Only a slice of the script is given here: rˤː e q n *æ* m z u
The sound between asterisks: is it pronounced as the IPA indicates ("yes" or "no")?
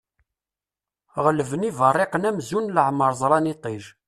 yes